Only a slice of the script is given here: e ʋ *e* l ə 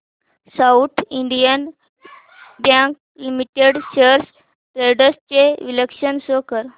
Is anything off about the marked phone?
yes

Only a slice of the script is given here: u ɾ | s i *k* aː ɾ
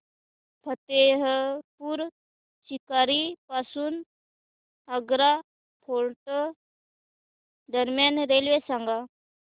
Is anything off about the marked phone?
no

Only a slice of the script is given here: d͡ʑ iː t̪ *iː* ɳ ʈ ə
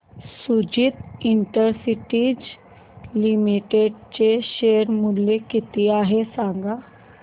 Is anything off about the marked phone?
yes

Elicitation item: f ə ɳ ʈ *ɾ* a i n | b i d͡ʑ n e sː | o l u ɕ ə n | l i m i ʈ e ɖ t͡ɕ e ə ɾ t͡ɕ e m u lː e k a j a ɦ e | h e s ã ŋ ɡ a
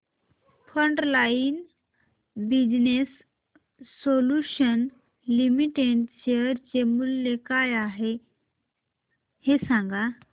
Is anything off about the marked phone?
yes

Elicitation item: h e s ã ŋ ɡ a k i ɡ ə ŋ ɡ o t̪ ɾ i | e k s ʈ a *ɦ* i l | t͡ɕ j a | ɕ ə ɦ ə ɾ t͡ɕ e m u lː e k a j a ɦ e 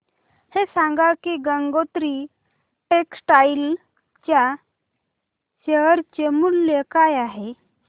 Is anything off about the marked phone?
yes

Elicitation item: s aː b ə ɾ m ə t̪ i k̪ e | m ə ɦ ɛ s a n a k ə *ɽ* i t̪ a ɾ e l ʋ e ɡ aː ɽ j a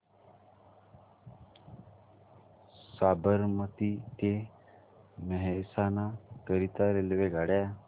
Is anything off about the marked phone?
yes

